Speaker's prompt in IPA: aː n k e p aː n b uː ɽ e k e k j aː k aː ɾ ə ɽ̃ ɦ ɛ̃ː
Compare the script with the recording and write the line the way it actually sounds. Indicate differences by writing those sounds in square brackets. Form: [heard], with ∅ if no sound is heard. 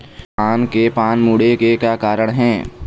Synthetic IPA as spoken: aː n k e p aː n [m] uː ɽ e k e k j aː k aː ɾ ə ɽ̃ ɦ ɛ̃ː